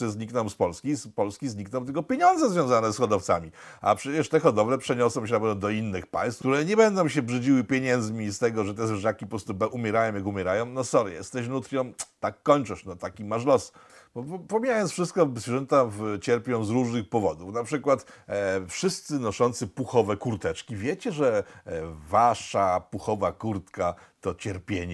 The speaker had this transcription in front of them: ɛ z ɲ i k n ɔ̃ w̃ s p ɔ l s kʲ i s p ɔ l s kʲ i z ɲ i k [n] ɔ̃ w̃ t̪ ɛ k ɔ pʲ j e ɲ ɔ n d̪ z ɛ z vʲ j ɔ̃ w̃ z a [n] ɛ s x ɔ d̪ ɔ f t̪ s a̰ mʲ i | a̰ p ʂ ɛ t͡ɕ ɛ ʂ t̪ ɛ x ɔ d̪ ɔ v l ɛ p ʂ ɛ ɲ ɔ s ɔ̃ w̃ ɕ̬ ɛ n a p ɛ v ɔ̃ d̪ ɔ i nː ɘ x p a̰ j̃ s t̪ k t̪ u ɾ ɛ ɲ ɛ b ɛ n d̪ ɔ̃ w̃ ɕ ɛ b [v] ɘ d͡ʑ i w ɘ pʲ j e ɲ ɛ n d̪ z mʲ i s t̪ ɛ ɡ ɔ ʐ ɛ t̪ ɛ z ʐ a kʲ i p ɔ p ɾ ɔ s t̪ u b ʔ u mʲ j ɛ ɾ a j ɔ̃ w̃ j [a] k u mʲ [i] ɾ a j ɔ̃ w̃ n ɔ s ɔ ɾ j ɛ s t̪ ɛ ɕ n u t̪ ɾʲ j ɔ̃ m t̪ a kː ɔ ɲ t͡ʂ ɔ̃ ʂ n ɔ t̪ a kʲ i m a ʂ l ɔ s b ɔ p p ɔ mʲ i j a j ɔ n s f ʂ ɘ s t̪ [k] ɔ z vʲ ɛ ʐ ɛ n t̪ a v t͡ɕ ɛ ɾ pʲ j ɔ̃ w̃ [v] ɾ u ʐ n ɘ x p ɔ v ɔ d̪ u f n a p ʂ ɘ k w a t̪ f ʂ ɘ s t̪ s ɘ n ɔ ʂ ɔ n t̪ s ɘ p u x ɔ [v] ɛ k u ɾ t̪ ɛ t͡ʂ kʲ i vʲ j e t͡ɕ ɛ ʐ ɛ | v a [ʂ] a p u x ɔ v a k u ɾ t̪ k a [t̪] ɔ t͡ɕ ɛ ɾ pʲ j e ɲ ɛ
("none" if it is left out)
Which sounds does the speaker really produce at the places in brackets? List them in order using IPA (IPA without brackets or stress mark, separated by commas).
n, n, ʐ, a, ɛ, k, z, v, ʂ, t̪